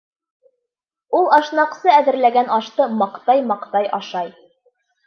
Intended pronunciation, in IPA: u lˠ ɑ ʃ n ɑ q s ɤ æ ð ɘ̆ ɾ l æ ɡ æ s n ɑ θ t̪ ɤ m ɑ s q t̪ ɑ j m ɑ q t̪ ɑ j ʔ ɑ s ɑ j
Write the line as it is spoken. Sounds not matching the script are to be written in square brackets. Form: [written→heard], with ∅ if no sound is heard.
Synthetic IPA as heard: u lˠ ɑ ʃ n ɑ q s ɤ æ ð ɘ̆ ɾ l æ ɡ æ [s→∅] n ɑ [θ→ʃ] t̪ ɤ m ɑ [s→∅] q t̪ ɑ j m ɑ q t̪ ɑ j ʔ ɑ [s→ʃ] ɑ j